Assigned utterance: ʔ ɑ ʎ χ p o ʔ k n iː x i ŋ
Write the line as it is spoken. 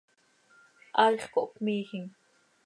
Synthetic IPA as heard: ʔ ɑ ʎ χ k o ʔ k m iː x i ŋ